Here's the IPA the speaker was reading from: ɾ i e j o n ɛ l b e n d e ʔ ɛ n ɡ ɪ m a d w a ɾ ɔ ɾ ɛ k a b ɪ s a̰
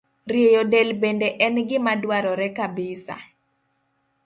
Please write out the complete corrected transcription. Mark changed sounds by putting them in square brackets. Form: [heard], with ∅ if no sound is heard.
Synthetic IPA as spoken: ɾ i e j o [d] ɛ l b e n d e ʔ ɛ n ɡ ɪ m a d w a ɾ ɔ ɾ ɛ k a b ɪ s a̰